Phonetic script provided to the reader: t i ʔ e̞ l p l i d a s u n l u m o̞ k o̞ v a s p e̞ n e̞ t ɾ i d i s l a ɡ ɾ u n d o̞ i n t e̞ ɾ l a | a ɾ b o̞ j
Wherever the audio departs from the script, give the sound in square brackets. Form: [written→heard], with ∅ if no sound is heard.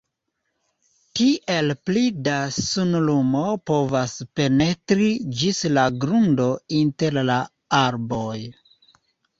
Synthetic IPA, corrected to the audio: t i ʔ e̞ l p l i d a s u n l u m o̞ [k→p] o̞ v a s p e̞ n e̞ t ɾ i [d→d͡ʒ] i s l a ɡ ɾ u n d o̞ i n t e̞ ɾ l a | a ɾ b o̞ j